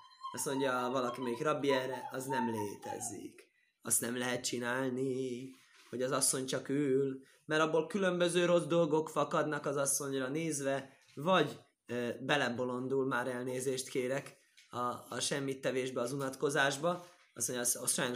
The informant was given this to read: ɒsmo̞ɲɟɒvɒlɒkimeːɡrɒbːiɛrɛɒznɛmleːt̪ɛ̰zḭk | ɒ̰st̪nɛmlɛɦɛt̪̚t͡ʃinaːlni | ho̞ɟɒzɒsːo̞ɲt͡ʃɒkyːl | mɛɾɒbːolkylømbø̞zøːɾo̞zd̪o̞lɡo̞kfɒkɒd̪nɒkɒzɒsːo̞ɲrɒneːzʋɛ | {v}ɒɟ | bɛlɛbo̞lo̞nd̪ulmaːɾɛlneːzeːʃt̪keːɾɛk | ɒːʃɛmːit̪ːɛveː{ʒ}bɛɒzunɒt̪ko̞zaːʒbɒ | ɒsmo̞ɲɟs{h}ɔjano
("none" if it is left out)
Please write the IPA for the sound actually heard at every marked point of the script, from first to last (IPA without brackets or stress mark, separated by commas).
v, ʒ, ʃ